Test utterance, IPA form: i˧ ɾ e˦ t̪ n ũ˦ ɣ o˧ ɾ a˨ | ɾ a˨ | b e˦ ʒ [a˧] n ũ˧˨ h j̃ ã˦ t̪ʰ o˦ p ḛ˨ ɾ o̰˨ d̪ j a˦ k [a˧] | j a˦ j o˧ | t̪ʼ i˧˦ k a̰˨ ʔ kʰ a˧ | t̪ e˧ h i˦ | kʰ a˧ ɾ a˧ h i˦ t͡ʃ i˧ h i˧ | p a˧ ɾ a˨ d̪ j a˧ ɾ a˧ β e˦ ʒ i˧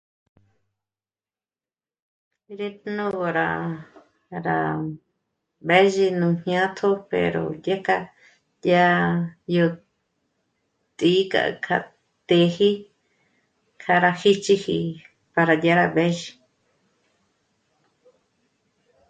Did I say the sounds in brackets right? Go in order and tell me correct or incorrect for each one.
incorrect: i˧, correct

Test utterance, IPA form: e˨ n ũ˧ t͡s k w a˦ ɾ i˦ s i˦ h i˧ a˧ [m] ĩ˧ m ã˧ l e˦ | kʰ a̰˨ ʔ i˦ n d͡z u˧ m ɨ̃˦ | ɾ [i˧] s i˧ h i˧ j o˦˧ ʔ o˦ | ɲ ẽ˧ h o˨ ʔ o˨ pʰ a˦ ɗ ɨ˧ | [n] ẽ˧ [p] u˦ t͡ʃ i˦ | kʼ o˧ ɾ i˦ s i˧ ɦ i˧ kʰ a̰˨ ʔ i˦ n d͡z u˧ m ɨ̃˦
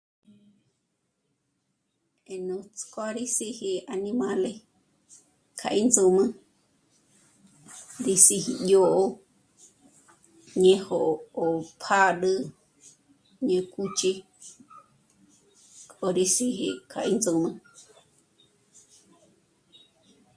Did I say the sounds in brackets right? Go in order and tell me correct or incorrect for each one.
incorrect: n, correct, incorrect: ɲ, incorrect: k

